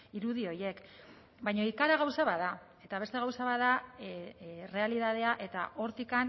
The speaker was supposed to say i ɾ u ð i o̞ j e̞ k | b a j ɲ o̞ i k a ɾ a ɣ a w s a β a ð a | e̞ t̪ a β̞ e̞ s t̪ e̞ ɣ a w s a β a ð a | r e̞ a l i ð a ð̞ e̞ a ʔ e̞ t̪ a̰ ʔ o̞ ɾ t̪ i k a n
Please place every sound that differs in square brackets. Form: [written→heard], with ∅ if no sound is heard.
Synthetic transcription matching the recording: i ɾ u ð i o̞ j e̞ k | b a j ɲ o̞ i k a ɾ a ɣ a w s a β a ð a | e̞ t̪ a β̞ e̞ s t̪ e̞ ɣ a w s a β a ð a | r e̞ a l i ð a ð̞ e̞ a ʔ e̞ t̪ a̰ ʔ o̞ ɾ t̪ i k a n